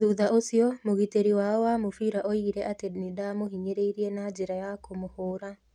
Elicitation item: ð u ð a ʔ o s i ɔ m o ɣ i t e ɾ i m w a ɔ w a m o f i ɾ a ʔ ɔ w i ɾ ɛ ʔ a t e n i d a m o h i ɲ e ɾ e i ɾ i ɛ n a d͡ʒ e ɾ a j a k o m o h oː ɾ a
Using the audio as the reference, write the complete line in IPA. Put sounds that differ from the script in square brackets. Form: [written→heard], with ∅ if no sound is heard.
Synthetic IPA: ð u ð a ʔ o s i ɔ m o ɣ i t e ɾ i [m→∅] w a ɔ w a m o f i ɾ a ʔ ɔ [w→∅] i ɾ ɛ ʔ a t e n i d a m o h i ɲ e ɾ e i ɾ i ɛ n a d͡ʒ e ɾ a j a k o m o h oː ɾ a